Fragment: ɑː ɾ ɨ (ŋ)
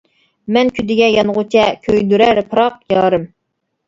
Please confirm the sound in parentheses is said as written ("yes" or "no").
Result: no